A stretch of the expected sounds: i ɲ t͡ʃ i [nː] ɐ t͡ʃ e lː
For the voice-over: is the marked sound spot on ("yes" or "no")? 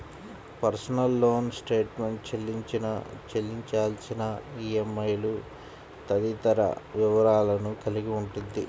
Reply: no